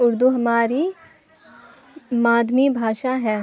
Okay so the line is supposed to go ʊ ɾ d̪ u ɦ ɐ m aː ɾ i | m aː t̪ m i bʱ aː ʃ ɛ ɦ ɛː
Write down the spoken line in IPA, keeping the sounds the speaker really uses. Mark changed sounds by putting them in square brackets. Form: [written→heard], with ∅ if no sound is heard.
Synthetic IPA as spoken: ʊ ɾ d̪ u ɦ ɐ m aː ɾ i | m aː [t̪→d̪] m i bʱ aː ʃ [ɛ→a] ɦ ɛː

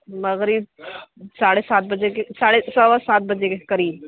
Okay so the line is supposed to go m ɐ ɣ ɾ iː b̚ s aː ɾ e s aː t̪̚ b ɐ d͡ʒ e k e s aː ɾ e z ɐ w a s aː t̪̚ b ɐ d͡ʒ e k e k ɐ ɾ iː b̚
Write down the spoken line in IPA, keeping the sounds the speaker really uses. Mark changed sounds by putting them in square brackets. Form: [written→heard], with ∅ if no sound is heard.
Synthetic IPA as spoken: m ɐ ɣ ɾ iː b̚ s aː [ɾ→ɽ] e s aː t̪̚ b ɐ d͡ʒ e k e s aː [ɾ→ɽ] e [z→s] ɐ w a s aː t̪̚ b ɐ d͡ʒ e k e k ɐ ɾ iː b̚

